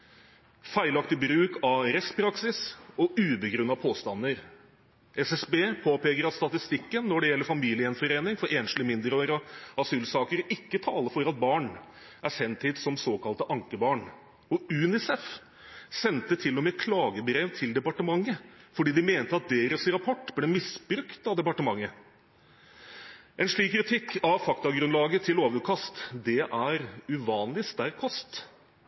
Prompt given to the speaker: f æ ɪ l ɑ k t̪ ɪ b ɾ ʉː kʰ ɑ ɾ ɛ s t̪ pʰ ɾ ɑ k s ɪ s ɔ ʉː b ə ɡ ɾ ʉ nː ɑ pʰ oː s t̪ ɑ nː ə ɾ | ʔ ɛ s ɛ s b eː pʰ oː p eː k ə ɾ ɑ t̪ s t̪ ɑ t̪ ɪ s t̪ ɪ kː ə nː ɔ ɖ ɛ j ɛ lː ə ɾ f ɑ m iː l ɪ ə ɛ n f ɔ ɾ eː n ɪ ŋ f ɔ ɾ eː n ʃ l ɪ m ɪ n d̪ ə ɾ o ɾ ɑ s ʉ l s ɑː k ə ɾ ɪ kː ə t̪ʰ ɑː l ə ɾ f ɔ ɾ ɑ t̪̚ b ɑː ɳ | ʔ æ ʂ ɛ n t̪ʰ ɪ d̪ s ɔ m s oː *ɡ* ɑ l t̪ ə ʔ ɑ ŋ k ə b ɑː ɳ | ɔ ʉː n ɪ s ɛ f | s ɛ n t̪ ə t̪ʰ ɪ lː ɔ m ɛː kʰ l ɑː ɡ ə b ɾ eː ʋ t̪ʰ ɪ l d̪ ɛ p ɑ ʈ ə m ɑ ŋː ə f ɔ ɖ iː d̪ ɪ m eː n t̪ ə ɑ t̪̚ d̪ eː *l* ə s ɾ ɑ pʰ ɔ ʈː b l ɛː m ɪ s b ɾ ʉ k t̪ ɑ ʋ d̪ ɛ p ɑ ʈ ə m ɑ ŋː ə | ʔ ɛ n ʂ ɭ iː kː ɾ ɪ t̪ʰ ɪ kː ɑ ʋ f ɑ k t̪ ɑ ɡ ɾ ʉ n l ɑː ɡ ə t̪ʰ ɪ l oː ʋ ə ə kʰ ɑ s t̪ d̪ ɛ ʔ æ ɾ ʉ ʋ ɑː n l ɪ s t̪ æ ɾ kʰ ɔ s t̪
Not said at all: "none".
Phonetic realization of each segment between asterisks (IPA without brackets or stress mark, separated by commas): k, ɾ